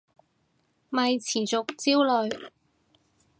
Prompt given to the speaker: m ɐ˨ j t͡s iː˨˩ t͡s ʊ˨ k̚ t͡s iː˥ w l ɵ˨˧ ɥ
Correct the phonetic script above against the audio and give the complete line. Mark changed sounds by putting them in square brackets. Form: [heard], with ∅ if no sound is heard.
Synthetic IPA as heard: m ɐ˨ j [t͡sʰ] iː˨˩ t͡s ʊ˨ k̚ t͡s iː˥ w l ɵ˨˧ ɥ